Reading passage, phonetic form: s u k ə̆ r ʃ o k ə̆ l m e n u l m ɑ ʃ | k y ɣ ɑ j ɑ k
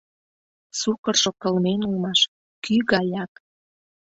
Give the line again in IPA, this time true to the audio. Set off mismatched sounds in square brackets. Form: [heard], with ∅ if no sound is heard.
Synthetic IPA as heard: s u k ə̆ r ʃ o k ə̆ l m e n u l m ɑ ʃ | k y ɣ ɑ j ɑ k